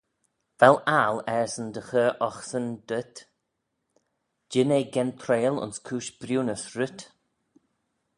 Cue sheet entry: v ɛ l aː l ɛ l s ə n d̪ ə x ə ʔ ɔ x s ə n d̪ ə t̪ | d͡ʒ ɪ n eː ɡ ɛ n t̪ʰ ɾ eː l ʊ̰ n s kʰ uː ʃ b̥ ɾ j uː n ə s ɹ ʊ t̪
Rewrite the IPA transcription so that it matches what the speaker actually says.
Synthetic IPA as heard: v ɛ l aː l ɛ ɹ s ə n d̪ ə x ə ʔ ɔ x s ə n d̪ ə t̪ | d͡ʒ ɪ n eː ɡ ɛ n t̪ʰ ɾ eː l ʊ̰ n s kʰ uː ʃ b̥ ɾ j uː n ə s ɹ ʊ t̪